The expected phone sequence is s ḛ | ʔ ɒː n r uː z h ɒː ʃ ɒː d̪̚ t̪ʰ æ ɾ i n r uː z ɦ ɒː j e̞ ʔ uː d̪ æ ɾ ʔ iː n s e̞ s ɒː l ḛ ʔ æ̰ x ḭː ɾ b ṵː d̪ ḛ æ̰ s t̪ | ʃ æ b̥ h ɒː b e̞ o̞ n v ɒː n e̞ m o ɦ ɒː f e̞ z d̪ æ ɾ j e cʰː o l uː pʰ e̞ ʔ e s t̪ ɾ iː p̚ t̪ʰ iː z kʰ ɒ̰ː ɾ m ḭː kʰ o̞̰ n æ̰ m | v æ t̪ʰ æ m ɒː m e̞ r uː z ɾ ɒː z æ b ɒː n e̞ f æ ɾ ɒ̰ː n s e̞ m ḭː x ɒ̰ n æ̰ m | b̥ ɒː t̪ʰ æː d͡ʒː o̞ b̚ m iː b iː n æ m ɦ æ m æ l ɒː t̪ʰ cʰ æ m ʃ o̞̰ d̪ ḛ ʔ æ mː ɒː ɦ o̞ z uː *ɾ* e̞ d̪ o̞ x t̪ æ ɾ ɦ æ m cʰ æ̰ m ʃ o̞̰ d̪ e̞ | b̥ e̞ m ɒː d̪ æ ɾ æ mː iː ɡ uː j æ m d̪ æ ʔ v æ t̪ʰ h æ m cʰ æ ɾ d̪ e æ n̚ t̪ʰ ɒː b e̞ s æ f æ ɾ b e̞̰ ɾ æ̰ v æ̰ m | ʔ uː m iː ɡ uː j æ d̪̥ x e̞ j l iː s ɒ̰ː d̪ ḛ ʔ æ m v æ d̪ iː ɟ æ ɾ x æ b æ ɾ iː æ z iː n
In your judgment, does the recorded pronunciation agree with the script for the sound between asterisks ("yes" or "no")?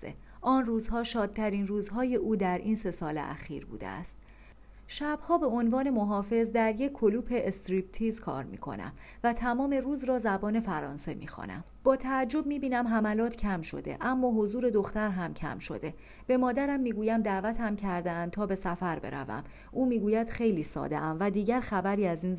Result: yes